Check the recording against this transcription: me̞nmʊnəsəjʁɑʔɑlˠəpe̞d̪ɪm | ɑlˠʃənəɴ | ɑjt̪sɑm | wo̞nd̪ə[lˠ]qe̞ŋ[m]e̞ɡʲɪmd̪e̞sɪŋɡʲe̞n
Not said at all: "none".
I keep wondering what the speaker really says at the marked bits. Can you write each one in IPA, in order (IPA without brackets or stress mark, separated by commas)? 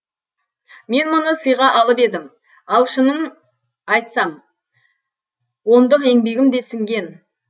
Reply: none, b